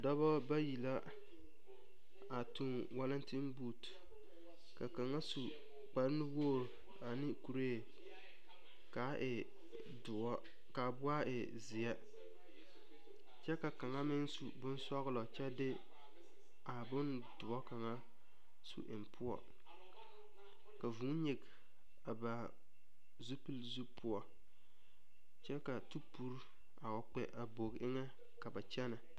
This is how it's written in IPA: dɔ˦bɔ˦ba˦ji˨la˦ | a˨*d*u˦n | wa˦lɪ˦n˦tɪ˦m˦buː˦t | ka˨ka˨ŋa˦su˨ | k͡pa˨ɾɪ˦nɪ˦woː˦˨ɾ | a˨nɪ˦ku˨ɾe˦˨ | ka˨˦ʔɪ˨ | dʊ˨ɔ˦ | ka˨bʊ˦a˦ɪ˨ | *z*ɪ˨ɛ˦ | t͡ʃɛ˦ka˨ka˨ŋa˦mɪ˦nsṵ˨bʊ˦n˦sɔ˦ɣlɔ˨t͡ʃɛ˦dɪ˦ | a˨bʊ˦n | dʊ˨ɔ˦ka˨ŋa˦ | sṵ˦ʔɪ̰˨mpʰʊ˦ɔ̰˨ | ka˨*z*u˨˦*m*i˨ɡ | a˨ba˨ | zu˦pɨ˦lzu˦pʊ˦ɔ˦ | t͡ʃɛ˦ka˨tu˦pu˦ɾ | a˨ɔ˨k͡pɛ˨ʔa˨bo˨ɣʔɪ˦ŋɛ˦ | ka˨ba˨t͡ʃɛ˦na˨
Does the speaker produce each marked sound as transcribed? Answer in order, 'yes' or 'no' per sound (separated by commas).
no, yes, no, no